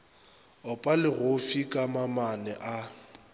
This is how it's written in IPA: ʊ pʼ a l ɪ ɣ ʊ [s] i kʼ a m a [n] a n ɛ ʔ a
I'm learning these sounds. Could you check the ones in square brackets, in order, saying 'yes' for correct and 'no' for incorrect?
no, no

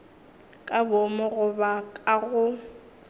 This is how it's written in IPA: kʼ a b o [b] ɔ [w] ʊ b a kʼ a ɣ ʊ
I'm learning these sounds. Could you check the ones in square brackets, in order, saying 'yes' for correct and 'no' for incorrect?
no, no

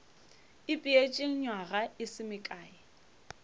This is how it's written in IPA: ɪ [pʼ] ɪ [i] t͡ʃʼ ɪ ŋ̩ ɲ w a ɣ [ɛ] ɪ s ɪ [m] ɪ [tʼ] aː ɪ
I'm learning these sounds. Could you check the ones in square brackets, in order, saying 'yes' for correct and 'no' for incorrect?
yes, no, no, yes, no

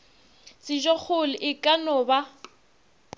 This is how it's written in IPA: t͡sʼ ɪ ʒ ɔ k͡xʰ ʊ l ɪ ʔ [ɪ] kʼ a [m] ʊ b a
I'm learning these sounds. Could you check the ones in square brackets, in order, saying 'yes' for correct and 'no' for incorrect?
yes, no

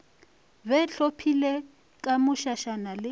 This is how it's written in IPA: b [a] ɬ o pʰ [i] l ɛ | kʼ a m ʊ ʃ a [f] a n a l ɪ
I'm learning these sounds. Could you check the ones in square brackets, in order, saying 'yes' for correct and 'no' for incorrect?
no, yes, no

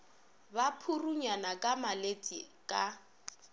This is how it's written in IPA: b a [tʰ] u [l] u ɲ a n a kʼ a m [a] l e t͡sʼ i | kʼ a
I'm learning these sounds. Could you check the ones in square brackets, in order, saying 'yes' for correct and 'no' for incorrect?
no, no, yes

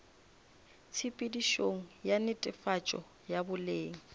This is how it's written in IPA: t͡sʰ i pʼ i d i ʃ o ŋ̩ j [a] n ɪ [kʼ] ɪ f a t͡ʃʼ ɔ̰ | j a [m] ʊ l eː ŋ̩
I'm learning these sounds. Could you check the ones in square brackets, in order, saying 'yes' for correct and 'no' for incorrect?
yes, no, no

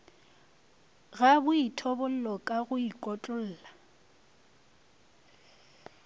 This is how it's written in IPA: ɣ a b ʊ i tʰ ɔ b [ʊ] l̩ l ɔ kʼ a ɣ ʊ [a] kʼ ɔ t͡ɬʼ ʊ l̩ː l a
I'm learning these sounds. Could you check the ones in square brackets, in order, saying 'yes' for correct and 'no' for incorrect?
yes, no

